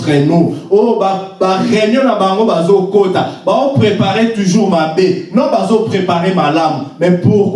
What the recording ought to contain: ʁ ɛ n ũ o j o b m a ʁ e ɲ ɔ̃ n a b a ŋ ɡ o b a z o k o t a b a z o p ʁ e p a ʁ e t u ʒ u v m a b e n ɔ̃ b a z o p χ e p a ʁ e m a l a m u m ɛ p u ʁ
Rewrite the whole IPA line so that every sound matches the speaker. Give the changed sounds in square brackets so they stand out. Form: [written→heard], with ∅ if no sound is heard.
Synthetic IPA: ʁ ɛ n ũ o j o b [m→b] a ʁ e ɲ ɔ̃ n a b a ŋ ɡ o b a z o k o t a b a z o p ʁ e p a ʁ e t u ʒ u [v→ʁ] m a b e n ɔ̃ b a z o p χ e p a ʁ e m a l a m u m ɛ p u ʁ